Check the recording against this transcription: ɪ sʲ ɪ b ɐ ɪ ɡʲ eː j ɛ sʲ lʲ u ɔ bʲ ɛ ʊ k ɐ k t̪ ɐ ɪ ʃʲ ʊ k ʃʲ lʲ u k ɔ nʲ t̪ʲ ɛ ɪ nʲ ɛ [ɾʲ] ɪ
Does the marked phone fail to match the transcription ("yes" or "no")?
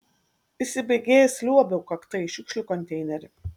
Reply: no